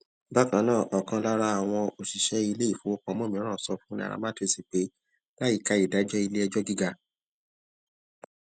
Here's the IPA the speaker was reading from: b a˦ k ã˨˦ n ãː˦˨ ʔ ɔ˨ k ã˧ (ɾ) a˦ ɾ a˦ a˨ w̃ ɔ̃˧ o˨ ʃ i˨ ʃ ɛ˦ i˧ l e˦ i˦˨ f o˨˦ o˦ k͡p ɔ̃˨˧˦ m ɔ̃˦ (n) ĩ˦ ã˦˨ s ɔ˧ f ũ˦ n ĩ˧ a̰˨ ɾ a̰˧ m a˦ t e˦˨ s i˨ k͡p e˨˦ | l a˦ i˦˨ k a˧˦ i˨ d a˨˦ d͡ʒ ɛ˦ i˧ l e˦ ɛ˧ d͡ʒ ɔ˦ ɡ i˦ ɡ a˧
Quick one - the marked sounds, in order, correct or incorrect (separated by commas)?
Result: incorrect, incorrect